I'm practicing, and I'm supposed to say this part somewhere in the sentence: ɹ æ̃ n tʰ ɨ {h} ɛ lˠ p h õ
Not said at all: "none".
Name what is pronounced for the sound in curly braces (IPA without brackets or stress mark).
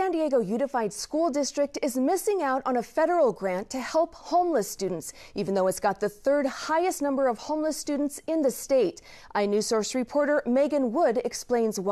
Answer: h